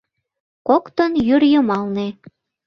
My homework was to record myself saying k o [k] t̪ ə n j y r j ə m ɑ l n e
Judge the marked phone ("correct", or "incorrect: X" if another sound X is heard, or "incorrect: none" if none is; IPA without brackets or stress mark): correct